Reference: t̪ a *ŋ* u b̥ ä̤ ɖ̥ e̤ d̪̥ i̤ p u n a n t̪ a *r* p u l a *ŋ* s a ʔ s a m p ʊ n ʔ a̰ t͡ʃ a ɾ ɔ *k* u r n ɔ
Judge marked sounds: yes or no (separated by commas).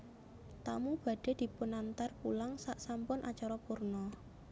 no, yes, yes, no